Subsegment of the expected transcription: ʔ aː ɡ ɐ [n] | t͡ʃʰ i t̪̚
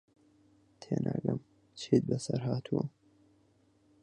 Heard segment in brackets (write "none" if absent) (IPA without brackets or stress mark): m